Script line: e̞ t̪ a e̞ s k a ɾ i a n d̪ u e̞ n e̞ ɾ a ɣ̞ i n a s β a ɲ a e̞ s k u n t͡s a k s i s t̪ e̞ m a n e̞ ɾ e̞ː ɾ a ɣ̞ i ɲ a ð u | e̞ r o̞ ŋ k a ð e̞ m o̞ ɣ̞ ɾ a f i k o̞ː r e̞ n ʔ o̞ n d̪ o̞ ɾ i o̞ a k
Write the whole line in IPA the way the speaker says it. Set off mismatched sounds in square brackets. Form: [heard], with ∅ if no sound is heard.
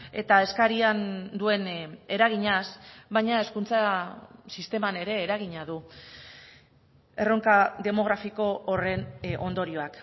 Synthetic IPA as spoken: e̞ t̪ a e̞ s k a ɾ i a n d̪ u e̞ n e̞ ɾ a ɣ̞ i [ɲ] a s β a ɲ a e̞ s k u n t͡s a [∅] s i s t̪ e̞ m a n e̞ ɾ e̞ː ɾ a ɣ̞ i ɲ a ð u | e̞ r o̞ ŋ k a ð e̞ m o̞ ɣ̞ ɾ a f i k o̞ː r e̞ n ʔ o̞ n d̪ o̞ ɾ i o̞ a k

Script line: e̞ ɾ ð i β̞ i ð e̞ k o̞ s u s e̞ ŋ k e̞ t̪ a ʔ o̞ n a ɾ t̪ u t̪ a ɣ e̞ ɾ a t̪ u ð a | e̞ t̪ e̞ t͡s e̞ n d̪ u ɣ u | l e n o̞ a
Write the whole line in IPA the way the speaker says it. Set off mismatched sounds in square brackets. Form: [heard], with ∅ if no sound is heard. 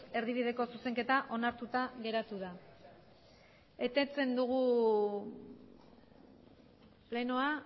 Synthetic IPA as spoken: e̞ ɾ ð i β̞ i ð e̞ k o̞ s u s e̞ ŋ k e̞ t̪ a ʔ o̞ n a ɾ t̪ u t̪ a ɣ e̞ ɾ a t̪ u ð a | e̞ t̪ e̞ t͡s e̞ n d̪ u ɣ u | l e n o̞ a

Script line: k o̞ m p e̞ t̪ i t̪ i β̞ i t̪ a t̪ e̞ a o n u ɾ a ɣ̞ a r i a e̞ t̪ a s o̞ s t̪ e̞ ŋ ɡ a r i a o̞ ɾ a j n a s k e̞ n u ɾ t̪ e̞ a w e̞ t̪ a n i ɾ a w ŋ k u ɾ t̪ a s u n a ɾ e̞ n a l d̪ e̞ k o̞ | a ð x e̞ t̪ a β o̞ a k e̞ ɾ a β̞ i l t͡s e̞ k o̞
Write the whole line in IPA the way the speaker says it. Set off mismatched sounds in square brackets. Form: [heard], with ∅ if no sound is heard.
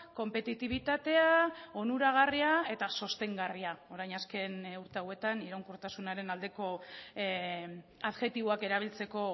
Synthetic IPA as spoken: k o̞ m p e̞ t̪ i t̪ i β̞ i t̪ a t̪ e̞ a o n u ɾ a ɣ̞ a r i a e̞ t̪ a s o̞ s t̪ e̞ ŋ ɡ a r i a o̞ ɾ a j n a s k e̞ n u ɾ t̪ e̞ a w e̞ t̪ a n i ɾ a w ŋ k u ɾ t̪ a s u n a ɾ e̞ n a l d̪ e̞ k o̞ | a ð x e̞ t̪ [i] β o̞ a k e̞ ɾ a β̞ i l t͡s e̞ k o̞

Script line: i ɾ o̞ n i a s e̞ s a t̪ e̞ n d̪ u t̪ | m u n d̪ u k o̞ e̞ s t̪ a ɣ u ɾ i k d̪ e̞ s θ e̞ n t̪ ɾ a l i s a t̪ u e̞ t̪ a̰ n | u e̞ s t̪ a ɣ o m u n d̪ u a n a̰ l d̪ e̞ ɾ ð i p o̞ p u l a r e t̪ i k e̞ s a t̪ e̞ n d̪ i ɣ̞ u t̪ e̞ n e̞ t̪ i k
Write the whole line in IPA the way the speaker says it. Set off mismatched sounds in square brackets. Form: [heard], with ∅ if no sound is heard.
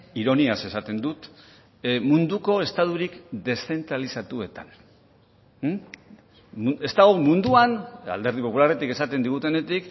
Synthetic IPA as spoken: i ɾ o̞ n i a s e̞ s a t̪ e̞ n d̪ u t̪ | m u n d̪ u k o̞ e̞ s t̪ a [ð] u ɾ i k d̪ e̞ s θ e̞ n t̪ ɾ a l i s a t̪ u e̞ t̪ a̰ n | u e̞ s t̪ a ɣ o m u n d̪ u a n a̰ l d̪ e̞ ɾ ð i p o̞ p u l a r e t̪ i k e̞ s a t̪ e̞ n d̪ i ɣ̞ u t̪ e̞ n e̞ t̪ i k

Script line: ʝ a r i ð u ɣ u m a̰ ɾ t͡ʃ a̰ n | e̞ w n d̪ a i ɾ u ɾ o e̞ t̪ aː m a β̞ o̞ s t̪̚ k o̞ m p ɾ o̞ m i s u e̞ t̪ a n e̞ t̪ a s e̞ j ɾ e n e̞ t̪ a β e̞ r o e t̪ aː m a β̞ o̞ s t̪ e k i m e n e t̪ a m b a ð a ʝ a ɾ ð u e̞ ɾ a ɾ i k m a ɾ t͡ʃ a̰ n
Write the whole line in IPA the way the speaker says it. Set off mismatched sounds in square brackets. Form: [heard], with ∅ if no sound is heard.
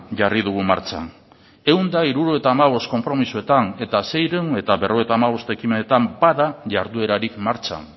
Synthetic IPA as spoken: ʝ a r i ð u ɣ u m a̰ ɾ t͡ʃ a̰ n | e̞ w n d̪ a i ɾ u ɾ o e̞ t̪ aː m a β̞ o̞ s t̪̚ k o̞ m p ɾ o̞ m i s u e̞ t̪ a n e̞ t̪ a s e̞ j ɾ e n e̞ t̪ a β e̞ r o e t̪ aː m a β̞ o̞ s t̪ e k i m e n e t̪ a m b a ð a ʝ a ɾ ð u e̞ ɾ a ɾ i k m a ɾ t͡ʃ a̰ n

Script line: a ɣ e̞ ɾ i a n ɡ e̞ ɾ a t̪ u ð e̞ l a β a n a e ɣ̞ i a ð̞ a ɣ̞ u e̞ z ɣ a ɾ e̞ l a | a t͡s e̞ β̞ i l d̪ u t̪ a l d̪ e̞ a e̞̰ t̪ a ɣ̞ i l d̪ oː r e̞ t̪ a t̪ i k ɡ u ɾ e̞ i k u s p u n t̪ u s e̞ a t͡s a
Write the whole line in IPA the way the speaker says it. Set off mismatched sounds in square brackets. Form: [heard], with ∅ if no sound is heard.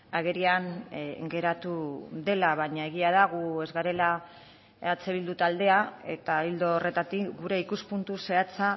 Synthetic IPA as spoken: a ɣ e̞ ɾ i a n ɡ e̞ ɾ a t̪ u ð e̞ l a β a [ɲ] a e ɣ̞ i a ð̞ a ɣ̞ u e̞ z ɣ a ɾ e̞ l a | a t͡s e̞ β̞ i l d̪ u t̪ a l d̪ e̞ a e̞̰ t̪ a [∅] i l d̪ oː r e̞ t̪ a t̪ i k ɡ u ɾ e̞ i k u s p u n t̪ u s e̞ a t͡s a

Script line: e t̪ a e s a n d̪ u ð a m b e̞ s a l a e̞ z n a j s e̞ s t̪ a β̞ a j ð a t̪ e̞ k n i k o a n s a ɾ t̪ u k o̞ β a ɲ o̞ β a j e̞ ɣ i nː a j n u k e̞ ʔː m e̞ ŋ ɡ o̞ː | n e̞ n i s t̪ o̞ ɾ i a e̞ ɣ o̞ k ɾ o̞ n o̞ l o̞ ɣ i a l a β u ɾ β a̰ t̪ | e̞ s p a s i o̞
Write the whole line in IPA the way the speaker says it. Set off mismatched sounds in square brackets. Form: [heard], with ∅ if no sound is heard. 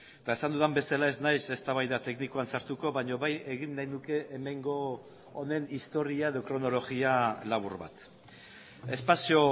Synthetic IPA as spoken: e t̪ a e s a n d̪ u ð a m b e̞ s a l a e̞ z n a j s e̞ s t̪ a β̞ a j ð a t̪ e̞ k n i k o a n s a ɾ t̪ u k o̞ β a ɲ o̞ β a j e̞ ɣ i nː a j n u k e̞ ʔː m e̞ ŋ ɡ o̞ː | n e̞ n i s t̪ o̞ ɾ i a e̞ [ð] o̞ k ɾ o̞ n o̞ l o̞ ɣ i a l a β u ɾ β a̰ t̪ | e̞ s p a s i o̞

